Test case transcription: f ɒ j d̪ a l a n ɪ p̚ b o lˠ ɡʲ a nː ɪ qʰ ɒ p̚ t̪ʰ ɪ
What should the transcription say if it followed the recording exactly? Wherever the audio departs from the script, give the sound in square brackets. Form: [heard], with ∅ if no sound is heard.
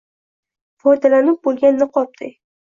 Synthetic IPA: f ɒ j d̪ a l a n ɪ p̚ b o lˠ ɡʲ a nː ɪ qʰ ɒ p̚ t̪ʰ ɪ